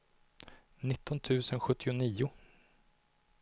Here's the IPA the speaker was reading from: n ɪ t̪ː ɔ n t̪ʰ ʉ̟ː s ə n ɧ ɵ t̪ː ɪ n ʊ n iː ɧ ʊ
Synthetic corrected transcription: n ɪ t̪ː ɔ n t̪ʰ ʉ̟ː s ə n ɧ ɵ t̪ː ɪ ʊ n iː ʊ